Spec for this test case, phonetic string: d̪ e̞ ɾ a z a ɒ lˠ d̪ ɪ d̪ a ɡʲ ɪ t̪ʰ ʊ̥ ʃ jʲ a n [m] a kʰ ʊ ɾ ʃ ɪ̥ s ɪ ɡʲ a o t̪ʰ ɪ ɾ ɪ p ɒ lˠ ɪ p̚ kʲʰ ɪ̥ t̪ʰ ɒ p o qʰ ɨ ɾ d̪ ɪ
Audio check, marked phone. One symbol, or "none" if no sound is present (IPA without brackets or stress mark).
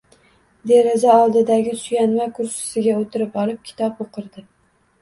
m